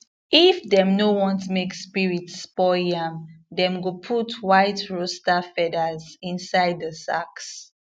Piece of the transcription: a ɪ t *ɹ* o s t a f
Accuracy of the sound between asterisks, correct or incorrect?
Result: correct